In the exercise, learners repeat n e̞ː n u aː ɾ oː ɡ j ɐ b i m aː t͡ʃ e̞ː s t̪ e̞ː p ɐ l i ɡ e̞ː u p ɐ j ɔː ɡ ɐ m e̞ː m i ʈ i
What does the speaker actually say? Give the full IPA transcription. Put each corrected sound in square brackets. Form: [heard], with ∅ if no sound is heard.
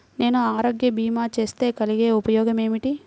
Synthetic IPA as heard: n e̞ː n u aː ɾ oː ɡ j ɐ b [iː] m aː t͡ʃ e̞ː s t̪ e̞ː [k] ɐ l i ɡ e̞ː u p ɐ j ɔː ɡ ɐ m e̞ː m i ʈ i